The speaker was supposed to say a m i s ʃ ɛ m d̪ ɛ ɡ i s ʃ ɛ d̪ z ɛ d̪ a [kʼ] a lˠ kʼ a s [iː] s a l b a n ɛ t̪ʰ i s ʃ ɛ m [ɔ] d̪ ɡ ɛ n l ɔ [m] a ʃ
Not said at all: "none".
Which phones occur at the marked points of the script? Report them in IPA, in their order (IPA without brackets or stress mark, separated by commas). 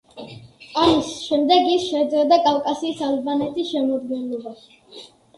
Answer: kʼ, iː, ɔ, b